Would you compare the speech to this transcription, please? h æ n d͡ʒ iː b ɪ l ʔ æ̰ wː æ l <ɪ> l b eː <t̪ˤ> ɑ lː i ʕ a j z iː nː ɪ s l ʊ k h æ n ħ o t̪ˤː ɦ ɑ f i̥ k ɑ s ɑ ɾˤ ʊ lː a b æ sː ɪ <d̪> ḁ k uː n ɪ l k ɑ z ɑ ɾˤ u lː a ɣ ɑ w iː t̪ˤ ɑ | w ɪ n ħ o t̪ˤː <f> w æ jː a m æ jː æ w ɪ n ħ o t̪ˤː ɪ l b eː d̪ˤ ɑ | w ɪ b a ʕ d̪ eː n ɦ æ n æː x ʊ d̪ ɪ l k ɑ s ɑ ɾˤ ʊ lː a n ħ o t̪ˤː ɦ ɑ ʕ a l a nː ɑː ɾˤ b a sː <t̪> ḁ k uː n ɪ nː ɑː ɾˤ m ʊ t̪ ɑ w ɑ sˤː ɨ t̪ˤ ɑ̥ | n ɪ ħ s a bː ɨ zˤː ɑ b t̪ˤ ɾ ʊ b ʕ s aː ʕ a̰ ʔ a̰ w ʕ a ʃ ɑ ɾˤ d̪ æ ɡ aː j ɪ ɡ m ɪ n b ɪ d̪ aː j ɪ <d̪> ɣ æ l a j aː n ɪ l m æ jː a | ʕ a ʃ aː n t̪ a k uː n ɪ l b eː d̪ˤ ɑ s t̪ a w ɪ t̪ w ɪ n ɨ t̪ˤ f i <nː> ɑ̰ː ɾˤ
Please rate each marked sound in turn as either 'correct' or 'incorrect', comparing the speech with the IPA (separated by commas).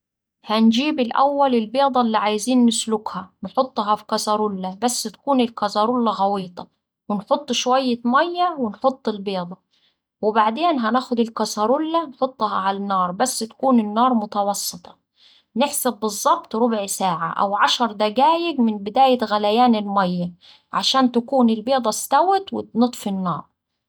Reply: correct, incorrect, incorrect, incorrect, correct, incorrect, correct